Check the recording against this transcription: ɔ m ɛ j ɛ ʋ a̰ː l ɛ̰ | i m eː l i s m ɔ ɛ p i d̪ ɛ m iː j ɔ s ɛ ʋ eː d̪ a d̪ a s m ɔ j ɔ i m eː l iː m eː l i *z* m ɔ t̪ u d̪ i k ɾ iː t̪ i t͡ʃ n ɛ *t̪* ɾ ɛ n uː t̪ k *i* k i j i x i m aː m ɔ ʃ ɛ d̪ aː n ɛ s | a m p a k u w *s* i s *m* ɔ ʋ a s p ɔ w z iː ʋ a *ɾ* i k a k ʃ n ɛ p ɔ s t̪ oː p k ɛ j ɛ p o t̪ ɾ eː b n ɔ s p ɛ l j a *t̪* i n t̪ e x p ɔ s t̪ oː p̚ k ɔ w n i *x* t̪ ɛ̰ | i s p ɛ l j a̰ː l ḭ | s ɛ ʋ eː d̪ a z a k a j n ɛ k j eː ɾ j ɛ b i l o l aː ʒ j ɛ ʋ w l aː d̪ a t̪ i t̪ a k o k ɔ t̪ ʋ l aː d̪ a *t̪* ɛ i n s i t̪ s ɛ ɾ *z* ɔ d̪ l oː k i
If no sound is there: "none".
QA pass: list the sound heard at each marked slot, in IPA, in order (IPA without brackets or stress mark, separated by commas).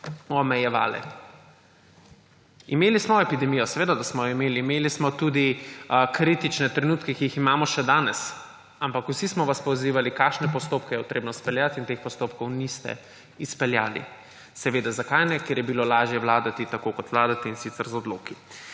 s, t̪, ɛ, s, m, l, t̪, s, t̪, z